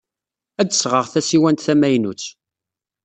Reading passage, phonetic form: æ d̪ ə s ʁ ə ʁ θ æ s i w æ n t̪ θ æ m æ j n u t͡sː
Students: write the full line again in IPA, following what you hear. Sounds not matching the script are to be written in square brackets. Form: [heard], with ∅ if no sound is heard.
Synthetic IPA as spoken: æ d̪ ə s ʁ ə ʁ θ æ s i w æ n t̪ θ æ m æ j n u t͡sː